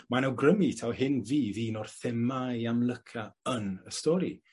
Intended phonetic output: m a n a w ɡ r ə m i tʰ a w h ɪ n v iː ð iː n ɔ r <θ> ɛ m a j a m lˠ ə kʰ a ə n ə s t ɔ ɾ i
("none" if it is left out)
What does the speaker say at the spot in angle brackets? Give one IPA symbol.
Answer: θ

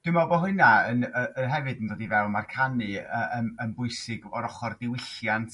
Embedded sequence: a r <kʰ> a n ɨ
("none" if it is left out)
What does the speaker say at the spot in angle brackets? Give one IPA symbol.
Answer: kʰ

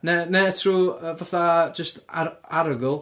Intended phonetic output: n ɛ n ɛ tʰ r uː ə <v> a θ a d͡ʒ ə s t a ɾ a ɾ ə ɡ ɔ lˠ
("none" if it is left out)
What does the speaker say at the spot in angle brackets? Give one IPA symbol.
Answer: v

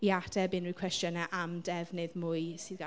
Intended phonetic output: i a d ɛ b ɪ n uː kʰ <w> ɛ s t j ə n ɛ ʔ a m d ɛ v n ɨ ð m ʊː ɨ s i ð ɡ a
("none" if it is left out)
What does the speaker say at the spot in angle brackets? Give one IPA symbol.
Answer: w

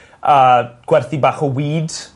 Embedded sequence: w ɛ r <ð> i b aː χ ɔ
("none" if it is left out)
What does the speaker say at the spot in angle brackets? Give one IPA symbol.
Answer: θ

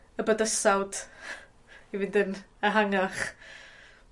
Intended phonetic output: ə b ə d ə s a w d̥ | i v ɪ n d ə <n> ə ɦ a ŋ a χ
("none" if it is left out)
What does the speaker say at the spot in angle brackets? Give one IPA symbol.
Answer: n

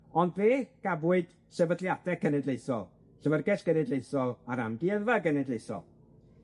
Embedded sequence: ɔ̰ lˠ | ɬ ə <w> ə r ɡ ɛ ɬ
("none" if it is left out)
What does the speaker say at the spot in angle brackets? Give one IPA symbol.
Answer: v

